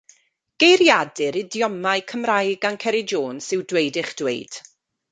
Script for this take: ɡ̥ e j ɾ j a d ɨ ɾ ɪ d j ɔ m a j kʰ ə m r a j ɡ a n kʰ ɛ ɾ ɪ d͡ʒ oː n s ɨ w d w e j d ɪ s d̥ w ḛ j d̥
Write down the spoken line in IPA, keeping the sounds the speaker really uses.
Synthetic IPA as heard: ɡ̥ e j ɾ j a d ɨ ɾ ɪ d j ɔ m a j kʰ ə m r a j ɡ a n kʰ ɛ ɾ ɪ d͡ʒ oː n s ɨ w d w e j d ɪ χ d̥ w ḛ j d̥